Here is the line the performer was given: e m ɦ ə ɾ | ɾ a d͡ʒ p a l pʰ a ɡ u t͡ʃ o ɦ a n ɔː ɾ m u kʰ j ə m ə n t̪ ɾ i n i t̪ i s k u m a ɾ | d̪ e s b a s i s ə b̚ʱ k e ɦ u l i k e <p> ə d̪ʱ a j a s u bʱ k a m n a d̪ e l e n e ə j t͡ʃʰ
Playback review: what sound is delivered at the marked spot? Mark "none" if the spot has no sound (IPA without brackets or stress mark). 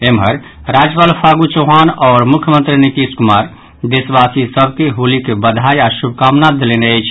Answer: b